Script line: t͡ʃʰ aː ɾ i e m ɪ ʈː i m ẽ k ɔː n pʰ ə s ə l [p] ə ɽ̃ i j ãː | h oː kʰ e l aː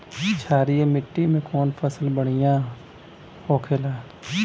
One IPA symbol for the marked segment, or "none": b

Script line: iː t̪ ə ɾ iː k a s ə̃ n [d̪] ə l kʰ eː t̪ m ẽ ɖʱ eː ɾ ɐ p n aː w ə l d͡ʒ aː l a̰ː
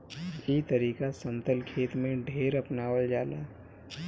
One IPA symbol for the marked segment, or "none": t̪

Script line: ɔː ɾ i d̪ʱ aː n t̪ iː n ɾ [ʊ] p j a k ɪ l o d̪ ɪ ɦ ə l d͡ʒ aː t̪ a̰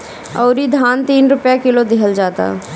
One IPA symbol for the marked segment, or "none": ʊ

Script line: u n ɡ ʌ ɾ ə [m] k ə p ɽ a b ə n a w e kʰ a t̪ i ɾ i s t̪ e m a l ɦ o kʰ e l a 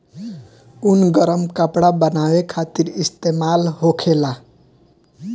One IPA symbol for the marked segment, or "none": m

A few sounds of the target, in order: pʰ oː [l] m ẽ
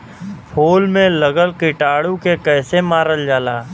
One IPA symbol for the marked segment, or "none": l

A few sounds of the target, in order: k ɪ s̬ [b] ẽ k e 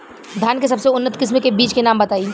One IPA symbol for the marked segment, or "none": m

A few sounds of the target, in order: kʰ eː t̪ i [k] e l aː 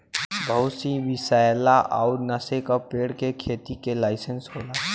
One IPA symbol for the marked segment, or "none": k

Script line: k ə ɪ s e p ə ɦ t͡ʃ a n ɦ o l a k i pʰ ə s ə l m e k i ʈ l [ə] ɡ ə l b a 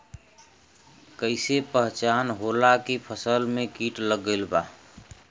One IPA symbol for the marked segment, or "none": ə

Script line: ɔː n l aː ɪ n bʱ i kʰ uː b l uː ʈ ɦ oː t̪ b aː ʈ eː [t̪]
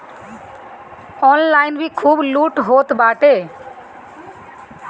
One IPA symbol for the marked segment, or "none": none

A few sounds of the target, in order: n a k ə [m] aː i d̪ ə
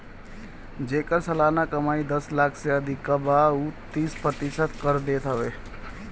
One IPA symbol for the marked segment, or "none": m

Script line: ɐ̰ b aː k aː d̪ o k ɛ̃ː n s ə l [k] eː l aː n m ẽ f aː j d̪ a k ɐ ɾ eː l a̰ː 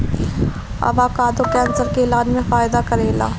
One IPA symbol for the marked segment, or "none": k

